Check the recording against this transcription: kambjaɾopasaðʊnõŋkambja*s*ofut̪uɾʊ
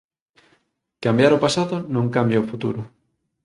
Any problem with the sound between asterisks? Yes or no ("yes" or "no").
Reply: yes